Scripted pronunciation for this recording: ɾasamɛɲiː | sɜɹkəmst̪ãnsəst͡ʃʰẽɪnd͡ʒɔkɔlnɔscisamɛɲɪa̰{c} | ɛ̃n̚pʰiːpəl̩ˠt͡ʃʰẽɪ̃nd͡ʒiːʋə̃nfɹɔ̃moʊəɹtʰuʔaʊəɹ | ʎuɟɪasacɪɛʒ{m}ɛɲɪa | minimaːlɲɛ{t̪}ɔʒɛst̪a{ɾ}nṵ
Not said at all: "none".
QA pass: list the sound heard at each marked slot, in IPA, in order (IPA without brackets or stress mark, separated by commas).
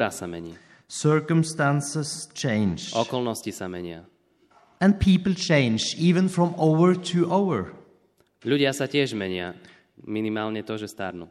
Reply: none, m, t̪, ɾ